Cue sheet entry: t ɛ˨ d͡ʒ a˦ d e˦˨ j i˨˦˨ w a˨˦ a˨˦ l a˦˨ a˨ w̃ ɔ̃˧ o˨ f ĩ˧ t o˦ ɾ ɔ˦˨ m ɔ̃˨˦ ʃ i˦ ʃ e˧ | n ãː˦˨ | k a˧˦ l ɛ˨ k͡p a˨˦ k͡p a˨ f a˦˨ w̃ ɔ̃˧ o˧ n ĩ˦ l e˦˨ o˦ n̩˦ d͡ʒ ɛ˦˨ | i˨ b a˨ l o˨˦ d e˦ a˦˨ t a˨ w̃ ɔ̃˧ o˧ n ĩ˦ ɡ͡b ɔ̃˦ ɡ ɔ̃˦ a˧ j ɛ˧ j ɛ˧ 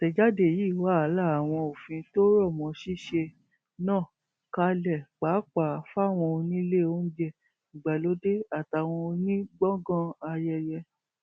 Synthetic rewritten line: t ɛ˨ d͡ʒ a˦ d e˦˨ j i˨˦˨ w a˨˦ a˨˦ l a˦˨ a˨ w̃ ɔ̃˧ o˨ f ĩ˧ t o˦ ɾ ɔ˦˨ m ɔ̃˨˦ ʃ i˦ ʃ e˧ | n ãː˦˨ | k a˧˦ l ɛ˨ k͡p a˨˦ k͡p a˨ f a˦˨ w̃ ɔ̃˧ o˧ n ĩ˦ l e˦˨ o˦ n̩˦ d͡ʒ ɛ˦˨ | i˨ ɡ͡b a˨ l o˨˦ d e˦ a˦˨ t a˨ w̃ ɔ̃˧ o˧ n ĩ˦ ɡ͡b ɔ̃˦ ɡ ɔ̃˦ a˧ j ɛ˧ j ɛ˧